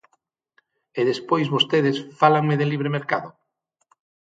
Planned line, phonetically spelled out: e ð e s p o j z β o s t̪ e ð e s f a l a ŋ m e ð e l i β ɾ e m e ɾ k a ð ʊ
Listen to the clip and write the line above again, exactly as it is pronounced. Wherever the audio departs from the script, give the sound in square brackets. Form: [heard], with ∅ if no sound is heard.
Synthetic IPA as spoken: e ð e s p o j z β o s t̪ e ð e s f a l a ŋ m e ð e l i β ɾ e m e ɾ k a ð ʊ